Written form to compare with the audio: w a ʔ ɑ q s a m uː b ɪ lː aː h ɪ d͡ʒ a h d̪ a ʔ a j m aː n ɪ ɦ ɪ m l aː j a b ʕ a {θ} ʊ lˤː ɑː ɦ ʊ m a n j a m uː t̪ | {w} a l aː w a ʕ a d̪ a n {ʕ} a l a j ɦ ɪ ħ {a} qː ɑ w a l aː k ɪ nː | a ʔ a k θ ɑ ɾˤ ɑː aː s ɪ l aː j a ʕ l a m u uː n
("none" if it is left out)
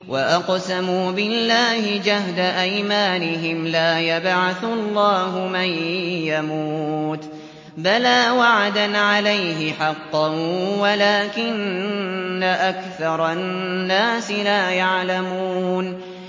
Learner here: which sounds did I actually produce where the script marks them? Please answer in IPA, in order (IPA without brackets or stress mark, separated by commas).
θ, b, ʕ, ɑ